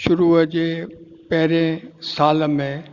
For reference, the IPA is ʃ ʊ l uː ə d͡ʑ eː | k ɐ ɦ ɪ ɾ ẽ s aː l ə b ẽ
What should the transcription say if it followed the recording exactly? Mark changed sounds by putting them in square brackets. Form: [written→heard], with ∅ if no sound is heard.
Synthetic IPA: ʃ ʊ [l→ɾ] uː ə d͡ʑ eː | [k→p] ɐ ɦ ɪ ɾ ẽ s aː l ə [b→m] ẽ

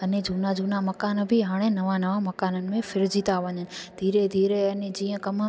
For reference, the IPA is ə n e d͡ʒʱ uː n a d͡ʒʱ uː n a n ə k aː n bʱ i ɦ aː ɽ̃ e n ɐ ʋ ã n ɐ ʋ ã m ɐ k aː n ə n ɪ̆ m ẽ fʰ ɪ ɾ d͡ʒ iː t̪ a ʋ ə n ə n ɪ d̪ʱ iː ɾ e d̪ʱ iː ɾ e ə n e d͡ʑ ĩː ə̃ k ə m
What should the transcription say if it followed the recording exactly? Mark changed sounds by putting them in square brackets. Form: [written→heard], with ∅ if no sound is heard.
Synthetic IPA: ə n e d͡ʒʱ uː n a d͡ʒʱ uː n a [n→m] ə k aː n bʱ i ɦ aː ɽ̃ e n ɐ ʋ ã n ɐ ʋ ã m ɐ k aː n ə n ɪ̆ m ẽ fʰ ɪ ɾ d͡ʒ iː t̪ a ʋ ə [n→ɲ] ə n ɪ d̪ʱ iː ɾ e d̪ʱ iː ɾ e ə n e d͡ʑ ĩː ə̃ k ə m

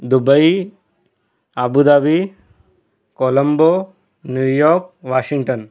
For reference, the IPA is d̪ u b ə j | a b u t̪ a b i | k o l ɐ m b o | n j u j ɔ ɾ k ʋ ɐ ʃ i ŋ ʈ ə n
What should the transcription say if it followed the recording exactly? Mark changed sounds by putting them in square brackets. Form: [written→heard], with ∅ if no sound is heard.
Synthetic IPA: d̪ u b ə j | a b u [t̪→d̪] a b i | k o l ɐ m b o | n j u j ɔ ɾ k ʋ [ɐ→a] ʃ i ŋ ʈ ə n

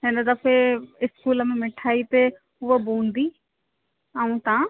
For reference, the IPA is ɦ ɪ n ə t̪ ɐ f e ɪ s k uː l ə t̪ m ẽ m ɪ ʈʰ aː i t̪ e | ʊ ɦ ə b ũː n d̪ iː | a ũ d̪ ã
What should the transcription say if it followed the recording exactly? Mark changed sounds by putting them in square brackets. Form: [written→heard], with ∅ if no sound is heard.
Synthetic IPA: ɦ ɪ n ə [t̪→d̪] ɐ f e ɪ s k uː l ə [t̪→∅] m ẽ m ɪ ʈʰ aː i t̪ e | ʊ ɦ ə b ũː n d̪ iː | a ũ [d̪→t̪] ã

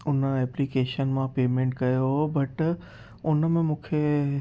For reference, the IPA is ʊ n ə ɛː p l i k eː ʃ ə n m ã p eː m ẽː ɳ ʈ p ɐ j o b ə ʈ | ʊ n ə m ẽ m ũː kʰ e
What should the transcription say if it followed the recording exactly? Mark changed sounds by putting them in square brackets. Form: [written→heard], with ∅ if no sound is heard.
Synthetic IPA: ʊ n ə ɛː p l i k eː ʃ ə n m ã p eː m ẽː ɳ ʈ [p→k] ɐ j o b [ə→ɐ] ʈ | ʊ n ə m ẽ m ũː kʰ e

